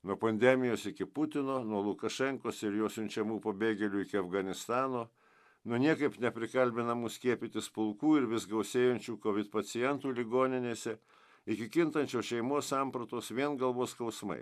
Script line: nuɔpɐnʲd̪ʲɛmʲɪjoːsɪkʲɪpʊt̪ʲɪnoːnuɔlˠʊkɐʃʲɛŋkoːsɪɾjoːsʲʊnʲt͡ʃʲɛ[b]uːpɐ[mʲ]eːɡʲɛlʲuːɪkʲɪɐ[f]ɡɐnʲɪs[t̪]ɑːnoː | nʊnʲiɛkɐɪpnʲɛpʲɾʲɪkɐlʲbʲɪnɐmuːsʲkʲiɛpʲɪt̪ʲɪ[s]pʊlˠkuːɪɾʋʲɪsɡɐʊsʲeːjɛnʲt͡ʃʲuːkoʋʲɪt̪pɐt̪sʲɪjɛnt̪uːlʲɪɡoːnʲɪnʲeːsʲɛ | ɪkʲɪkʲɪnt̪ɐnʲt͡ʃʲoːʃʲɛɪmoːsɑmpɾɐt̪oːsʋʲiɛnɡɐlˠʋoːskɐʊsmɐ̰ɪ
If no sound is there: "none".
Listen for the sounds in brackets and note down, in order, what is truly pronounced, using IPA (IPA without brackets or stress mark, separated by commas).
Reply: m, bʲ, f, t̪, s